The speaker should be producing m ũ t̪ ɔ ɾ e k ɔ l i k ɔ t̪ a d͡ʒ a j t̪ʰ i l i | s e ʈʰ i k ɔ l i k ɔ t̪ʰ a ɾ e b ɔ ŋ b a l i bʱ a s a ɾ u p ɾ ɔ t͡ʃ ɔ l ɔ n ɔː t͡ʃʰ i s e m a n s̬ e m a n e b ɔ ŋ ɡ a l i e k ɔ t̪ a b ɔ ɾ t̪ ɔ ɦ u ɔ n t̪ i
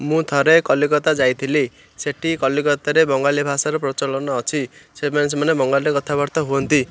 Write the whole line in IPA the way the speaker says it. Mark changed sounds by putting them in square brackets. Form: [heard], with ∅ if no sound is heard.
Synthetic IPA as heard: m ũ [t̪ʰ] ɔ ɾ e k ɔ l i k ɔ t̪ a d͡ʒ a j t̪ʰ i l i | s e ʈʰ i k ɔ l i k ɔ [t̪] a ɾ e b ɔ ŋ [ɡ] a l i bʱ a s a ɾ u p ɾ ɔ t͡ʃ ɔ l ɔ n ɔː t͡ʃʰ i s e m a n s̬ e m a n e b ɔ ŋ ɡ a l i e k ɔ [t̪ʰ] a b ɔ ɾ t̪ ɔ ɦ u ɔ n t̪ i